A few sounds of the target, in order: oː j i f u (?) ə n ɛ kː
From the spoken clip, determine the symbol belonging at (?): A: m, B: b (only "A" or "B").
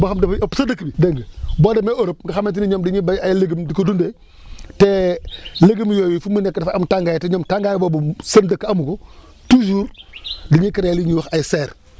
A